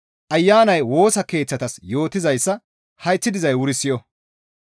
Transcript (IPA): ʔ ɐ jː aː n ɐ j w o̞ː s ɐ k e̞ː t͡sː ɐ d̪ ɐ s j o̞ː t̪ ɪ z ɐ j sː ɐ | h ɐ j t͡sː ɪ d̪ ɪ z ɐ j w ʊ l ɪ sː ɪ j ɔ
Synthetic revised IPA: ʔ ɐ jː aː n ɐ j w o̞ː s ɐ k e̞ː t͡sː ɐ t̪ ɐ s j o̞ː t̪ ɪ z ɐ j sː ɐ | h ɐ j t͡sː ɪ d̪ ɪ z ɐ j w ʊ ɾ ɪ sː ɪ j ɔ